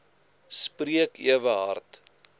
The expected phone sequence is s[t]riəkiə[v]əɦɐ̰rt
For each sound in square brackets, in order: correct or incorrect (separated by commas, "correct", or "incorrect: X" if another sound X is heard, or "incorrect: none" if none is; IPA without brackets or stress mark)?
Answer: incorrect: p, correct